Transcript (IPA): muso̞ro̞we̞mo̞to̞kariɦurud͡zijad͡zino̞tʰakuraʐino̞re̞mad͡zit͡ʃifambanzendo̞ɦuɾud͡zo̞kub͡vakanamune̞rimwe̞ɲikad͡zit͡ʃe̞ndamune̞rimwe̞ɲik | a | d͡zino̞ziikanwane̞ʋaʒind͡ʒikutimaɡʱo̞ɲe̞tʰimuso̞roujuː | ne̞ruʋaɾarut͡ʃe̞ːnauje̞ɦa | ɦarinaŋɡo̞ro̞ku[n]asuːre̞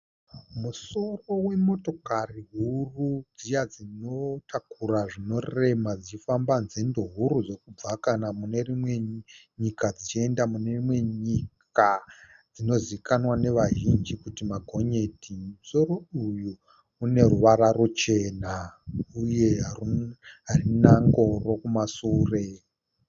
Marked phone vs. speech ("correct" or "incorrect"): incorrect